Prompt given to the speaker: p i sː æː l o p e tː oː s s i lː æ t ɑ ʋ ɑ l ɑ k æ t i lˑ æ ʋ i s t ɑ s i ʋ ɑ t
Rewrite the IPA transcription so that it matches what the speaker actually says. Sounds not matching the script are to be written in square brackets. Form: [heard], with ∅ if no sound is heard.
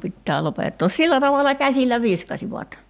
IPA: p i [tː] æː l o p e tː oː s s i lː æ t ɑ ʋ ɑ l ɑ k æ [s] i lˑ æ ʋ i s [k] ɑ s i ʋ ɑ t